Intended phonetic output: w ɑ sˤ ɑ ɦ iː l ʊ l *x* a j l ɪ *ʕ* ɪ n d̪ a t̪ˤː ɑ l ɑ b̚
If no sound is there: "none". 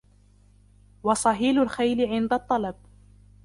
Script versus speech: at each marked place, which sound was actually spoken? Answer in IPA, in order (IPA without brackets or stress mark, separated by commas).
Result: x, ʕ